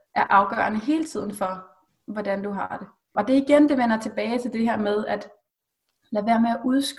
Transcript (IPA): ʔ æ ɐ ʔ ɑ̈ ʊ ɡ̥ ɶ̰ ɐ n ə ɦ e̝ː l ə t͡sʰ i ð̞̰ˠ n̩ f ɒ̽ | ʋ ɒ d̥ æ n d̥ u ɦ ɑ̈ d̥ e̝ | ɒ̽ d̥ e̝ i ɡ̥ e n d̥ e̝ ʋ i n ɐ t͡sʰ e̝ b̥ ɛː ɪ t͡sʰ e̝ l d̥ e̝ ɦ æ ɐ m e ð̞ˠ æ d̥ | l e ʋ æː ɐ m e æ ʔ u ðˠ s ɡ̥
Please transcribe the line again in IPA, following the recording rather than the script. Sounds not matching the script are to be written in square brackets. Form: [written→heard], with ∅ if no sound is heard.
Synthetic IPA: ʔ æ ɐ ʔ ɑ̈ ʊ ɡ̥ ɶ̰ ɐ n ə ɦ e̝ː l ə t͡sʰ i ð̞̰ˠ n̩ f ɒ̽ | ʋ ɒ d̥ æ n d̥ u ɦ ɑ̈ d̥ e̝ | ɒ̽ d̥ e̝ i ɡ̥ e n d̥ e̝ ʋ [i→e] n ɐ t͡sʰ e̝ b̥ ɛː ɪ t͡sʰ e̝ l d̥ e̝ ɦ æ ɐ m e ð̞ˠ æ d̥ | l [e→æ] ʋ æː ɐ m e æ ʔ u ðˠ s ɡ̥